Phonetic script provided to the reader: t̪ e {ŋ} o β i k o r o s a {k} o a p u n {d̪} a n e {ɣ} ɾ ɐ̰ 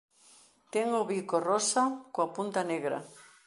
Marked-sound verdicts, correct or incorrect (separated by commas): correct, correct, incorrect, correct